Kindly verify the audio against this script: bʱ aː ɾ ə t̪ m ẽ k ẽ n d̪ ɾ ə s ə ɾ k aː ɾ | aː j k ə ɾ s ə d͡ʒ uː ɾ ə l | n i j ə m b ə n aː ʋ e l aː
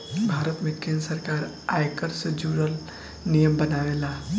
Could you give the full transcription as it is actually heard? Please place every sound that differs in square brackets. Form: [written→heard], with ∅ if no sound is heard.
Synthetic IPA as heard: bʱ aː ɾ ə t̪ m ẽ k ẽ n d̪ ɾ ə s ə ɾ k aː ɾ | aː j k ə ɾ s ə d͡ʒ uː ɾ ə l | n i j ə m b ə n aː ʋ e l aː